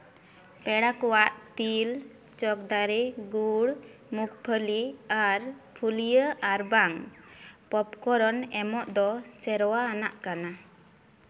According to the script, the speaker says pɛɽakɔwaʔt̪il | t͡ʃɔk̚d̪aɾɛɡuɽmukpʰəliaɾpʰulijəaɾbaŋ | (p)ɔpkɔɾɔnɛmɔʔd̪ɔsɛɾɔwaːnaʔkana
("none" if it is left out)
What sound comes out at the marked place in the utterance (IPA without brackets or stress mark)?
p